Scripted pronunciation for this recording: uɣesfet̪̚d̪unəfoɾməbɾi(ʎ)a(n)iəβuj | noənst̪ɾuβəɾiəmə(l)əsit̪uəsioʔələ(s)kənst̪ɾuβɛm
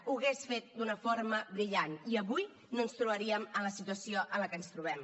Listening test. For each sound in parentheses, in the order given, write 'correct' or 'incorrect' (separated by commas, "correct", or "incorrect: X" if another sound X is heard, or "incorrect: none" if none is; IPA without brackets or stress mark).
correct, correct, correct, incorrect: none